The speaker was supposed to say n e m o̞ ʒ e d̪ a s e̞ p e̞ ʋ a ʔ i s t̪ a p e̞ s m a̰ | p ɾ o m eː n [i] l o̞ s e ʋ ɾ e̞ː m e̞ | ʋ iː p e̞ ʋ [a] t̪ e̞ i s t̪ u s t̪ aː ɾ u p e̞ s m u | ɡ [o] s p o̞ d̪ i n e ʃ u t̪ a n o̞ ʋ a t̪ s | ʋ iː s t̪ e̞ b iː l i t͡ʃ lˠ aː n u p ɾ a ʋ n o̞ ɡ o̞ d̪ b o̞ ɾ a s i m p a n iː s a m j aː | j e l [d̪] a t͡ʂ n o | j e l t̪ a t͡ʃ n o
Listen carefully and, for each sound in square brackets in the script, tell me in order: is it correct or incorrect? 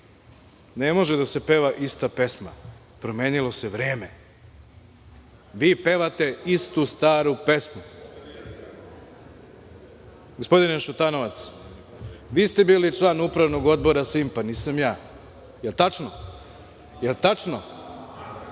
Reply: correct, correct, correct, incorrect: t̪

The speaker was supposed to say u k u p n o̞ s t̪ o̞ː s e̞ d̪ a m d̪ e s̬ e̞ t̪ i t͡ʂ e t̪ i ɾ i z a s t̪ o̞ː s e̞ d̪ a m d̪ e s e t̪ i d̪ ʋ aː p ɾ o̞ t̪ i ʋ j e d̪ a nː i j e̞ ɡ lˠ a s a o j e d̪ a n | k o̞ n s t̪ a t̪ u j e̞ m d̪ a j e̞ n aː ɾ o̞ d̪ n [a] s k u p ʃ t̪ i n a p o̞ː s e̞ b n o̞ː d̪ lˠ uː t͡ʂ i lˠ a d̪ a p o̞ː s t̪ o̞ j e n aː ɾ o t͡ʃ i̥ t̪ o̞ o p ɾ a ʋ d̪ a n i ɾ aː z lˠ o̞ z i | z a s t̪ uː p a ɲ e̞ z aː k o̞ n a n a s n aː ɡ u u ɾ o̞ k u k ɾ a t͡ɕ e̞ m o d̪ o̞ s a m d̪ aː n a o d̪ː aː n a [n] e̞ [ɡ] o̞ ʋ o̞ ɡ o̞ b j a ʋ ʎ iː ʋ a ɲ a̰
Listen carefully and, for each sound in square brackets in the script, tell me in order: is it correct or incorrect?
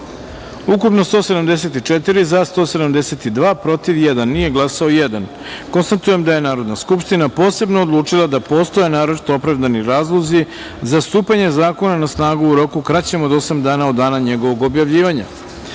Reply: correct, incorrect: ɲ, correct

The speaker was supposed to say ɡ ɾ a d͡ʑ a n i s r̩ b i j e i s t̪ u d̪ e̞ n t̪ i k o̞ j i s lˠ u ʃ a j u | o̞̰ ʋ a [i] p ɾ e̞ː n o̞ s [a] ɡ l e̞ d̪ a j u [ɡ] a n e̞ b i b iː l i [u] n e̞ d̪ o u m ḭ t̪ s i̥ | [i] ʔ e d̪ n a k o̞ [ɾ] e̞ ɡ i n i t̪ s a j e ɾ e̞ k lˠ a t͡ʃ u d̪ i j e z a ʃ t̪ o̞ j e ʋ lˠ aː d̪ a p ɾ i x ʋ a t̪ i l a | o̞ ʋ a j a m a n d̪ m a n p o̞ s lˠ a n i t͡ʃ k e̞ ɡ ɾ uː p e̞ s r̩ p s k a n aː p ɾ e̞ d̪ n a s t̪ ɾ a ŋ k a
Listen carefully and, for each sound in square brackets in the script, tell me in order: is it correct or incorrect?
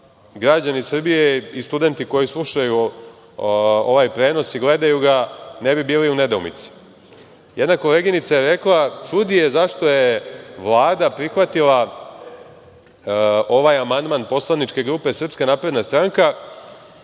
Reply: incorrect: j, incorrect: i, correct, correct, incorrect: j, incorrect: l

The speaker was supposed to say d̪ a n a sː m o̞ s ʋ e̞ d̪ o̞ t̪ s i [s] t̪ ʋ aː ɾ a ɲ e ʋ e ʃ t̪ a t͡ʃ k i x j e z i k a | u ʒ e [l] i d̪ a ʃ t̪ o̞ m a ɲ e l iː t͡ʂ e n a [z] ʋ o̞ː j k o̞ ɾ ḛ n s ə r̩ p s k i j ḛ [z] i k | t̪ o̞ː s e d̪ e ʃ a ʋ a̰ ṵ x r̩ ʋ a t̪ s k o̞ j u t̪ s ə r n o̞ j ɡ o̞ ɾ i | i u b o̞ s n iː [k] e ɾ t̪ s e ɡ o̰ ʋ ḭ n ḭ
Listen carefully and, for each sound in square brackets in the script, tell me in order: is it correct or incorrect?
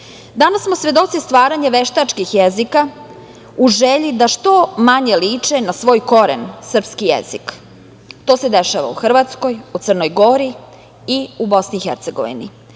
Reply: correct, incorrect: ʎ, incorrect: s, correct, incorrect: x

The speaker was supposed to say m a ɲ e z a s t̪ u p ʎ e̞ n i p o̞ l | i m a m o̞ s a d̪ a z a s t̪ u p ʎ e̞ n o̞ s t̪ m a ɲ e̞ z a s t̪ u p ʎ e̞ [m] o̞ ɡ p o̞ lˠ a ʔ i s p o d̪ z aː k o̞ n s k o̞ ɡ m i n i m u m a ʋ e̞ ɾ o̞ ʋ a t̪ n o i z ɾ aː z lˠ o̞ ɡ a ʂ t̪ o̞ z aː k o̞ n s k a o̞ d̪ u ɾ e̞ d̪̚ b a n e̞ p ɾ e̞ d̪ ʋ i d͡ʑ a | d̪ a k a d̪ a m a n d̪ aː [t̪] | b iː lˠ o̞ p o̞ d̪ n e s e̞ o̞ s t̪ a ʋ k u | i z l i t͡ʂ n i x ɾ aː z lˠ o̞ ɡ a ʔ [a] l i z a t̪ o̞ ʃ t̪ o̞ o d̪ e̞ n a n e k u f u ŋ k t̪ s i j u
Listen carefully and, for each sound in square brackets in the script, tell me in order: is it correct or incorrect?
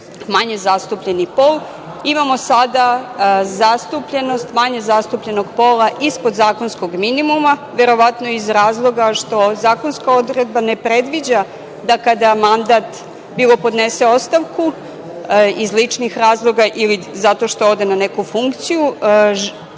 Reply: incorrect: n, correct, incorrect: i

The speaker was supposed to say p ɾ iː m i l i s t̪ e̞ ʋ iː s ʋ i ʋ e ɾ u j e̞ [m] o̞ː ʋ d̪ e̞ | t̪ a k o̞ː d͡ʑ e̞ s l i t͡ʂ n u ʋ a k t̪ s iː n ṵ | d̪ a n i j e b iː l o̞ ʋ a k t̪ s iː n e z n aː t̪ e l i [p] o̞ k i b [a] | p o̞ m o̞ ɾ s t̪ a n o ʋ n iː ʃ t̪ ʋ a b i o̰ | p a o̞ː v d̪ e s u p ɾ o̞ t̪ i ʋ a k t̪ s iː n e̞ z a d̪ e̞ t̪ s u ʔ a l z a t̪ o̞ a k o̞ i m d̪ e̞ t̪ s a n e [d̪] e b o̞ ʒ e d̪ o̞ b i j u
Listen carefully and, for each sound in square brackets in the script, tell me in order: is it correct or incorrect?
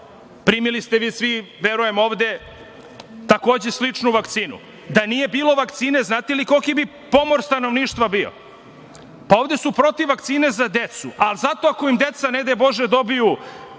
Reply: correct, incorrect: k, incorrect: i, correct

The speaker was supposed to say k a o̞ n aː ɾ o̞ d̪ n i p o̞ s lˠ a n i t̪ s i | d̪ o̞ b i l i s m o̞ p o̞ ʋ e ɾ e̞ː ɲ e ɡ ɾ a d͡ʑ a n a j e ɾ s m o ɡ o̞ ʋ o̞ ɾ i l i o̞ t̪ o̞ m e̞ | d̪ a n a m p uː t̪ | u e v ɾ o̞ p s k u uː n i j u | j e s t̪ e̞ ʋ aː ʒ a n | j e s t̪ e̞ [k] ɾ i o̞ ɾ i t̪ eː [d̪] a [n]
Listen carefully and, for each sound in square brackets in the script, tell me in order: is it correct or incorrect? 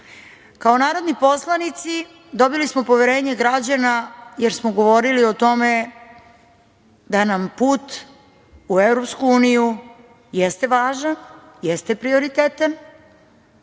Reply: incorrect: p, incorrect: t̪, correct

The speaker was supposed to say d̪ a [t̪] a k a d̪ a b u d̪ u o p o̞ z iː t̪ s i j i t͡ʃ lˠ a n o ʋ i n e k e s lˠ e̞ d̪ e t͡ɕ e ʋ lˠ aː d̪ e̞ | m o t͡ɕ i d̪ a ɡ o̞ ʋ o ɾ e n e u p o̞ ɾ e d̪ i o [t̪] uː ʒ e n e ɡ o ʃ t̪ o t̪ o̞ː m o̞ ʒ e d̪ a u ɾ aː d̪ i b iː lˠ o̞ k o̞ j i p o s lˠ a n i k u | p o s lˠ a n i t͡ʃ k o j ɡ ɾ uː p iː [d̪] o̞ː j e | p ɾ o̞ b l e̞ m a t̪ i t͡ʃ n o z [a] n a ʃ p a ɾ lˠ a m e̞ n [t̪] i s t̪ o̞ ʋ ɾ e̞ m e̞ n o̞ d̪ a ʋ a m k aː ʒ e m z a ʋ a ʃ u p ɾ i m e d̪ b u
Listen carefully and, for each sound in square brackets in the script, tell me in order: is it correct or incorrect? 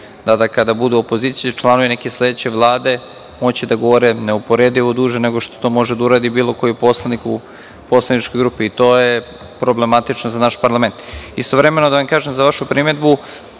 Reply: incorrect: d̪, incorrect: d̪, incorrect: t̪, correct, correct

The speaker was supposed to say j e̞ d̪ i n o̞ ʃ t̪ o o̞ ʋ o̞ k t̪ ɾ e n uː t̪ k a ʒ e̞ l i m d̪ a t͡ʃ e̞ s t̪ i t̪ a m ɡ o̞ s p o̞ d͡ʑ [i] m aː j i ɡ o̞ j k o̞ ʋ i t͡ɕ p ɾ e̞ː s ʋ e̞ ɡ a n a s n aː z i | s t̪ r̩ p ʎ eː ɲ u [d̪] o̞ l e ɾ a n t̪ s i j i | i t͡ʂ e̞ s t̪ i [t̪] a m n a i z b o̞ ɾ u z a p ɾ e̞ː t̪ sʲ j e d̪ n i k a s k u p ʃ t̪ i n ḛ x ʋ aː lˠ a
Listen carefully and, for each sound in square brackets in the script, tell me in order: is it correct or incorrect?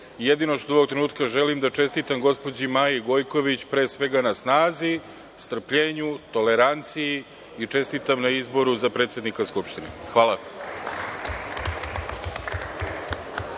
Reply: correct, incorrect: t̪, correct

